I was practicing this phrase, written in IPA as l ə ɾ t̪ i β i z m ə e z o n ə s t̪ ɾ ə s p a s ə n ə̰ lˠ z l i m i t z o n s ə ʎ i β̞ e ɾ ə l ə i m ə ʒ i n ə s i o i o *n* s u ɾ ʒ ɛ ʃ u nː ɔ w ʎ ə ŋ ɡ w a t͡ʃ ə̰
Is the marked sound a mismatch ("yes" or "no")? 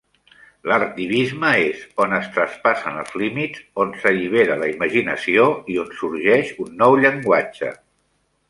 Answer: no